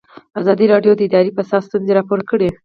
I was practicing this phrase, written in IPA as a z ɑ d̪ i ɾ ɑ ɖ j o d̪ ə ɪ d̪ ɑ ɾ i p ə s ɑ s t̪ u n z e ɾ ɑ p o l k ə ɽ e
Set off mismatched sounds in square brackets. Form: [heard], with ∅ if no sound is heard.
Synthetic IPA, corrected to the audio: a z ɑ d̪ i ɾ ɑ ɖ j o d̪ ə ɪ d̪ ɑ ɾ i p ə s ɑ s t̪ u n z e ɾ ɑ p o [ɾ] k ə ɽ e